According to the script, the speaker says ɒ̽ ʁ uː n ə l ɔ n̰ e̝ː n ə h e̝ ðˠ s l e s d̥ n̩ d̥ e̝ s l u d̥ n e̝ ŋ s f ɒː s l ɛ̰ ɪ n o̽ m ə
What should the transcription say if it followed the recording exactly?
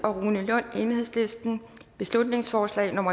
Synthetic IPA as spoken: ɒ̽ ʁ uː n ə l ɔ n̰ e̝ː n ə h e̝ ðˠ s l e s d̥ n̩ b̥ e̝ s l u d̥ n e̝ ŋ s f ɒː s l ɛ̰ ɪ n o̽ m ɐ